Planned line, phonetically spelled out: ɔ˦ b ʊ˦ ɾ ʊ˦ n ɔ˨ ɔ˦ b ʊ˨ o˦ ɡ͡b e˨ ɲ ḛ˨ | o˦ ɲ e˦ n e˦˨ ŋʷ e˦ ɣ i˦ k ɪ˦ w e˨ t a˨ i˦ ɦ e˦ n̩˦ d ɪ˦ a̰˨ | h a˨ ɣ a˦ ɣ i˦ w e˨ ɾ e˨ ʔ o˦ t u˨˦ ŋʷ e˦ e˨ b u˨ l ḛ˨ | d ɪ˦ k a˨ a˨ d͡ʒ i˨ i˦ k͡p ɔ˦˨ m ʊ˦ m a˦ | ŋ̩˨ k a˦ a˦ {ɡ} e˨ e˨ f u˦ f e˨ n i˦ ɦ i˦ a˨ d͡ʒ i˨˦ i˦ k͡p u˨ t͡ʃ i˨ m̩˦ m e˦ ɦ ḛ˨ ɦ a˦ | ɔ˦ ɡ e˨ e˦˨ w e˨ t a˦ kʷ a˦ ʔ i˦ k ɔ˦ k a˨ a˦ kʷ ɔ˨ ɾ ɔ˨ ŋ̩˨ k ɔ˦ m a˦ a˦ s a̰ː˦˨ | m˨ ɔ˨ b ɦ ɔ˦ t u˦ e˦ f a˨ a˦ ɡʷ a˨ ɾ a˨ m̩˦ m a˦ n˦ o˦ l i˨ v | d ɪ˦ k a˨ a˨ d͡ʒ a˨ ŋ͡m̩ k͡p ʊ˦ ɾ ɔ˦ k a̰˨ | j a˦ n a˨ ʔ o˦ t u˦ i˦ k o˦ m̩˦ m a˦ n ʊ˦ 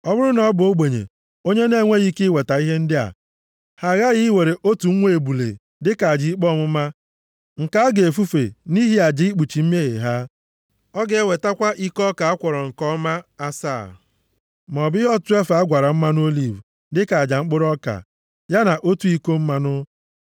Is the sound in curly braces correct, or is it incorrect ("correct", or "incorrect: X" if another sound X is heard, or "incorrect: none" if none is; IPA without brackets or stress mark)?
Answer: correct